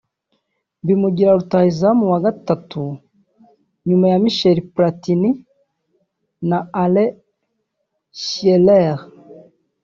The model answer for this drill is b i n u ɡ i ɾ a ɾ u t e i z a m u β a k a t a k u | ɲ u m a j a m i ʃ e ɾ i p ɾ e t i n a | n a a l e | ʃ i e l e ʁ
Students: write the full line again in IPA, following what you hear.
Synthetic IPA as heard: b i m u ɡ i ɾ a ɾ u t a i z a m u w a ɡ a t a t u | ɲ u m a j a m i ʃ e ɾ i p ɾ a t i n i | n a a l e | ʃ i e l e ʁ